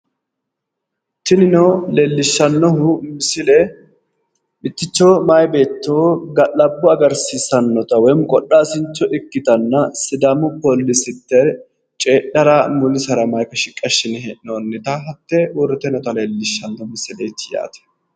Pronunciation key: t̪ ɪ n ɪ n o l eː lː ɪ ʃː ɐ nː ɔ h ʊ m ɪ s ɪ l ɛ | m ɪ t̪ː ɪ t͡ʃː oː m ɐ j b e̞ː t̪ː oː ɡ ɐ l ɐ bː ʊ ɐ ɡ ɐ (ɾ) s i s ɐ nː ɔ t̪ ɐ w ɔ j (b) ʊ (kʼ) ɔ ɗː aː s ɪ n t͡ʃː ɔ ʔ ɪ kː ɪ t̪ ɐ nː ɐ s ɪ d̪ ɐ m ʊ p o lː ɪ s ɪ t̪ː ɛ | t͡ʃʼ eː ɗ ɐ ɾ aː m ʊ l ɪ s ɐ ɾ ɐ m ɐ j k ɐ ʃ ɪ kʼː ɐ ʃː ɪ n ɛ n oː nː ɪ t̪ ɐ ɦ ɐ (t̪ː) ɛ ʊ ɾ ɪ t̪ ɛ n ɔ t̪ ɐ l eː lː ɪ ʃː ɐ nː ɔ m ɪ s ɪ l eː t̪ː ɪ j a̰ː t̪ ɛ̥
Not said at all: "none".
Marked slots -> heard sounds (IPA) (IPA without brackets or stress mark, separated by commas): ɾ, m, kʼ, t̪ː